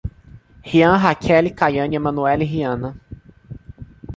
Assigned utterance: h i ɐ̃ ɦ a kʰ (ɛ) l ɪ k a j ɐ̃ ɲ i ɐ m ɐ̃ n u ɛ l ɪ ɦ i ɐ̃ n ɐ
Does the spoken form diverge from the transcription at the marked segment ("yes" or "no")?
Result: no